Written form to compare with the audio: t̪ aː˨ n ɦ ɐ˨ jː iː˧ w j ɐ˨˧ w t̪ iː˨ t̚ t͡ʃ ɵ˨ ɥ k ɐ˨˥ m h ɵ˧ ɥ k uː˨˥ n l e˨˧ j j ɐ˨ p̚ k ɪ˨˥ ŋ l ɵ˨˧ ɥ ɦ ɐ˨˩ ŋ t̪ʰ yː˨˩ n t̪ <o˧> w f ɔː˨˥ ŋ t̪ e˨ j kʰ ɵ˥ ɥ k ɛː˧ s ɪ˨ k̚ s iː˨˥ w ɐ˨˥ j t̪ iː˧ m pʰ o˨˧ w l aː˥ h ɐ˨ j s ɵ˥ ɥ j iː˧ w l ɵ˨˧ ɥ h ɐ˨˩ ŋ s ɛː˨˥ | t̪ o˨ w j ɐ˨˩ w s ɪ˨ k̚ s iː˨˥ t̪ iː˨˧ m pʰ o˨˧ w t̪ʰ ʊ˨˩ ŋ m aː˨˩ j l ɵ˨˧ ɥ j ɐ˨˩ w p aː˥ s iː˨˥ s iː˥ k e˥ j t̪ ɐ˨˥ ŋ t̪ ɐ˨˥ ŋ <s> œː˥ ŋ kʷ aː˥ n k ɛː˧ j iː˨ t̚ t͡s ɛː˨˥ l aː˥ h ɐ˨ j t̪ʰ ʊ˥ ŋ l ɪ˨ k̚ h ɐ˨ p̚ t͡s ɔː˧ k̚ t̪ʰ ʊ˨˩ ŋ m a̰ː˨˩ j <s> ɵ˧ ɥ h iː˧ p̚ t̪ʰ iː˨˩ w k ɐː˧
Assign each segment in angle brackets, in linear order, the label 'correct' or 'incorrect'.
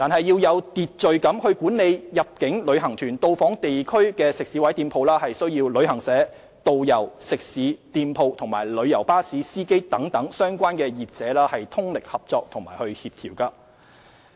correct, correct, incorrect

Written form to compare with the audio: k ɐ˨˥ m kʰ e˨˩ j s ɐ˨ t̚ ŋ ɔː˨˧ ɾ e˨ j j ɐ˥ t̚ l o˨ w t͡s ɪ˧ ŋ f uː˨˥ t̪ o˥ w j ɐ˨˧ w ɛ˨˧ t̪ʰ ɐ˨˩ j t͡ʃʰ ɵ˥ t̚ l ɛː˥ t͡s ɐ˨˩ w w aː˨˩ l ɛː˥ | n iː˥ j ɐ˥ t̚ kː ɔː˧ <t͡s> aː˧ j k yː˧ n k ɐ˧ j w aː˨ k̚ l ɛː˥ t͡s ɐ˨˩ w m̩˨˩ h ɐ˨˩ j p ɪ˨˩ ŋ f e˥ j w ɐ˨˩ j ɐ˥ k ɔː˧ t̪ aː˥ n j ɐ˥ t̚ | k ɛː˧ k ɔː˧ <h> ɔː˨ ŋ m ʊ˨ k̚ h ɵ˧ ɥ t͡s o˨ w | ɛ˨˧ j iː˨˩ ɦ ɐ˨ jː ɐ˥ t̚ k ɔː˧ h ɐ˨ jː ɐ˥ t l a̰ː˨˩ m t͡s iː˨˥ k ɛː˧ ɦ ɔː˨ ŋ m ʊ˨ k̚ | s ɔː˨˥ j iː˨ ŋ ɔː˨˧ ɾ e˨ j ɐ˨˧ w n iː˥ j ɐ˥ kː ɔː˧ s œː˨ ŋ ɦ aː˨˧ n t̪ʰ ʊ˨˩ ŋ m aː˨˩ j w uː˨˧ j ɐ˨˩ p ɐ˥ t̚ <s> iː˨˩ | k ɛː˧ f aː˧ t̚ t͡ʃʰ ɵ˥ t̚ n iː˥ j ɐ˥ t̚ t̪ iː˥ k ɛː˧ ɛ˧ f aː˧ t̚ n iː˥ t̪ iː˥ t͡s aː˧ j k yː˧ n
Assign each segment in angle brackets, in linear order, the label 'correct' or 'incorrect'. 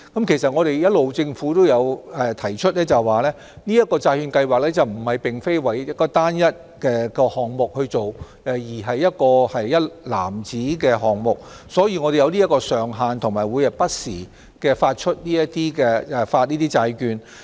correct, correct, correct

